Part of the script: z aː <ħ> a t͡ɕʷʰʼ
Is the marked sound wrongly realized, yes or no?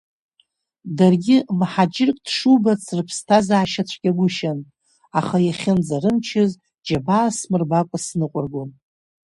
yes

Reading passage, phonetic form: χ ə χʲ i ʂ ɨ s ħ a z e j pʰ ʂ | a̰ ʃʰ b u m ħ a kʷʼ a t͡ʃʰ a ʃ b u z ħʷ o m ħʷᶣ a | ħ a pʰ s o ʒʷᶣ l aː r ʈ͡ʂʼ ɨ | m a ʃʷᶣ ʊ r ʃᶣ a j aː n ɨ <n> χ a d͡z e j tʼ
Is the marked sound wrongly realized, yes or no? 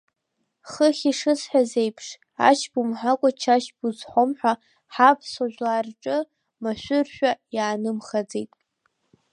yes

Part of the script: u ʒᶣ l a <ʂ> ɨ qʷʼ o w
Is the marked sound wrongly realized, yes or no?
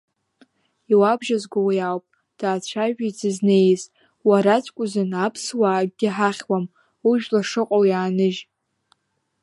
no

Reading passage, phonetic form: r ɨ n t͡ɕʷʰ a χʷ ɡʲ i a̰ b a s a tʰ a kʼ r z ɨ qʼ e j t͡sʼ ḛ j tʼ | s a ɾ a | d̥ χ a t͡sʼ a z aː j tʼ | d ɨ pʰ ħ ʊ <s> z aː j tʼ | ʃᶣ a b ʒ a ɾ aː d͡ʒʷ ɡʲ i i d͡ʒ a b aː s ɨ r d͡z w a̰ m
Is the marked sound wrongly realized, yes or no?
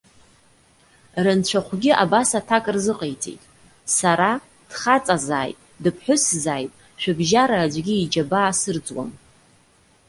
no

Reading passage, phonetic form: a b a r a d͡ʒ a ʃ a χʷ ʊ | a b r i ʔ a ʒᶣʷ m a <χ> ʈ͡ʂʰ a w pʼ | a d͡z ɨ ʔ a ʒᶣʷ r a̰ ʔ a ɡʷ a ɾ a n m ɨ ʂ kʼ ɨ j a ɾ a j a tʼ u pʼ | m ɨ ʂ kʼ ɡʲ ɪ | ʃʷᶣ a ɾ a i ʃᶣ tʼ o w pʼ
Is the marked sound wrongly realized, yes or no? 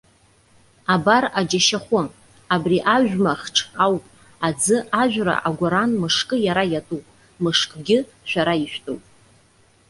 no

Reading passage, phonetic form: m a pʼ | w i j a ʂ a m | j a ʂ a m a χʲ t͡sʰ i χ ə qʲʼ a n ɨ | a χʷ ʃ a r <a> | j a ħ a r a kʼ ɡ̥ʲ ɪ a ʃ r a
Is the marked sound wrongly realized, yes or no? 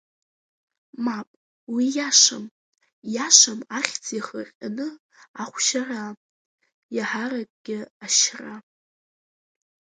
no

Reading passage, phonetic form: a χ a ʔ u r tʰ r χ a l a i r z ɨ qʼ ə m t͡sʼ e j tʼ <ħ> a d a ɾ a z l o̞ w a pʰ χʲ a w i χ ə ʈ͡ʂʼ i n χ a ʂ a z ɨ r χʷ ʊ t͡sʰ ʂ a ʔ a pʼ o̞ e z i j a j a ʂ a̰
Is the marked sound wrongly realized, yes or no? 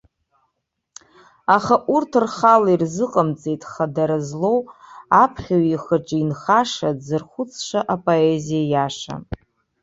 yes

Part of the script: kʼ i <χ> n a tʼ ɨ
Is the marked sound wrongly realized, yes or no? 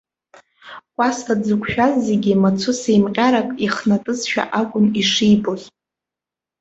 no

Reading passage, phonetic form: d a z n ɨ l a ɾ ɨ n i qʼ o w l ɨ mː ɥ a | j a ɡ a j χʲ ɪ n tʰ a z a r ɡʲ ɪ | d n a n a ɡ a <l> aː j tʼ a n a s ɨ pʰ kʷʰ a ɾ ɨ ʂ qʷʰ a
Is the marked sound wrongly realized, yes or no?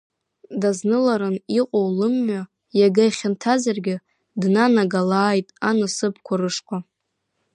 no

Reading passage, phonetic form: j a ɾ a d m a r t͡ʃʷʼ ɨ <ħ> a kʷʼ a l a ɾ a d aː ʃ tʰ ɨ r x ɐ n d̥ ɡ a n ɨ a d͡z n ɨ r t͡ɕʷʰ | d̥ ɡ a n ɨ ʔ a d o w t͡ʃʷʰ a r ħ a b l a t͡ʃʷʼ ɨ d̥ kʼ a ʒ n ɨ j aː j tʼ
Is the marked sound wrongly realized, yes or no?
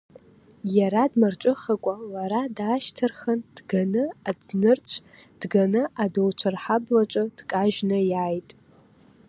yes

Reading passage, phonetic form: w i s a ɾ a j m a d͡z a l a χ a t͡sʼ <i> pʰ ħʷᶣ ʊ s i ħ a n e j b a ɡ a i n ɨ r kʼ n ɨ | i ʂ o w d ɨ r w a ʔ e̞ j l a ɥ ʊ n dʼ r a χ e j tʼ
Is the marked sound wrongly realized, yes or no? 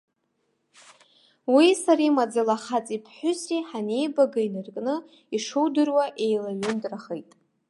no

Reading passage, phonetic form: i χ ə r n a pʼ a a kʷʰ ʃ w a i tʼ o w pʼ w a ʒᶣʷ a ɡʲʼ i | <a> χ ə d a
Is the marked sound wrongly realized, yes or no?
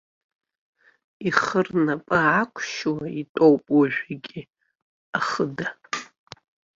no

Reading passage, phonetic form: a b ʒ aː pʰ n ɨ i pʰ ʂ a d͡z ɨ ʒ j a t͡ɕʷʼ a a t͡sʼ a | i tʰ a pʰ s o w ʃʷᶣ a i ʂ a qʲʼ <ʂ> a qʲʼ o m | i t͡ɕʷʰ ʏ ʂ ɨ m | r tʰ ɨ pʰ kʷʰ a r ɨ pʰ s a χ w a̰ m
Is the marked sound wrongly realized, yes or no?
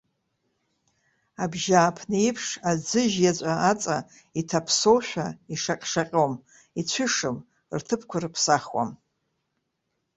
no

